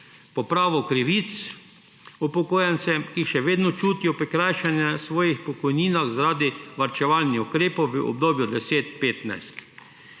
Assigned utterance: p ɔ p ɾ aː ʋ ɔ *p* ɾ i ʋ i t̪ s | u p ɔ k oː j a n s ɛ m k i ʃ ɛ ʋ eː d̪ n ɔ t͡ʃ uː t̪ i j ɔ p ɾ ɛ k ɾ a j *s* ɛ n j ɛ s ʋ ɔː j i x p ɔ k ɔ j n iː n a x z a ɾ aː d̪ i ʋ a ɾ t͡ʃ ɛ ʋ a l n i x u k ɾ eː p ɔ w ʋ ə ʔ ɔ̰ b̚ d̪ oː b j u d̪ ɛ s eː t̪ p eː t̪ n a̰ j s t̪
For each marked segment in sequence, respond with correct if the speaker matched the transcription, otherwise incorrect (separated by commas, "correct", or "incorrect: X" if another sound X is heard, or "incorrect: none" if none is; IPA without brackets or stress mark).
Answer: incorrect: k, incorrect: ʃ